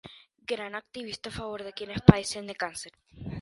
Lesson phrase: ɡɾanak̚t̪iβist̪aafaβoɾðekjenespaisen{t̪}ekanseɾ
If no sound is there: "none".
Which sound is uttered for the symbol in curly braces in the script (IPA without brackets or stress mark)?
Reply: d̪